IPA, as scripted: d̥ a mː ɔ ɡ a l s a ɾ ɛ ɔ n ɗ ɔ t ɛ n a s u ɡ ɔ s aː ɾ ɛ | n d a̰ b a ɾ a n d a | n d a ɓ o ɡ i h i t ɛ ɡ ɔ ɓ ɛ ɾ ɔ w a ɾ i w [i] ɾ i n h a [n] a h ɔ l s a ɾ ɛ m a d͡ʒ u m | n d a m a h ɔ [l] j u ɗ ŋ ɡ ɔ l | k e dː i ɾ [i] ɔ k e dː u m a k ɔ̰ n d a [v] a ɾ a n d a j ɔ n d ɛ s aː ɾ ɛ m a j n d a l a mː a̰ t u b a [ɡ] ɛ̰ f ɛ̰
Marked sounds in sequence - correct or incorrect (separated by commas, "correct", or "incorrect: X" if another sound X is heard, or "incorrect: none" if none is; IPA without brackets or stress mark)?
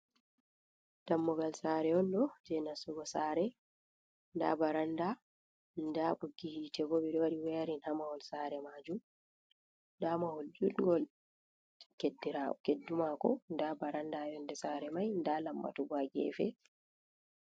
incorrect: ɛ, incorrect: m, correct, incorrect: a, incorrect: b, correct